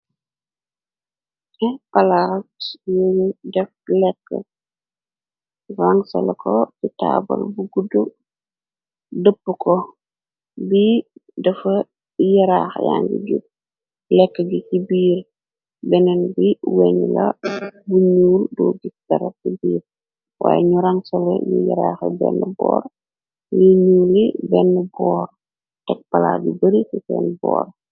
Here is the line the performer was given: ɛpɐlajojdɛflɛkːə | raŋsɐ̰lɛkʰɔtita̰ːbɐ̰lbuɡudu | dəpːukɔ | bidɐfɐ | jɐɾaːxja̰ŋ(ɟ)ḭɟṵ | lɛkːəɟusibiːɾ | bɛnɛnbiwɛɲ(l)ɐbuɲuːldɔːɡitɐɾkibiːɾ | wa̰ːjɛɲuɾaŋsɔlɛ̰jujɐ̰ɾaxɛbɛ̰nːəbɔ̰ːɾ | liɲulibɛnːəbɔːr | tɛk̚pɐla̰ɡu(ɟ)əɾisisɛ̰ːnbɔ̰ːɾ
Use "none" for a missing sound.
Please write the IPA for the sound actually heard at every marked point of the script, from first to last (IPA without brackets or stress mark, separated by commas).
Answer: ɡ, l, b